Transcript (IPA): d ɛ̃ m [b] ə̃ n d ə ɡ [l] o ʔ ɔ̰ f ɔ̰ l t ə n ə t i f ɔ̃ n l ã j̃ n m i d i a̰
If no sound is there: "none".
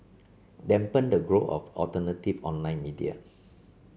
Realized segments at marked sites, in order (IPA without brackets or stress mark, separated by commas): p, ɹ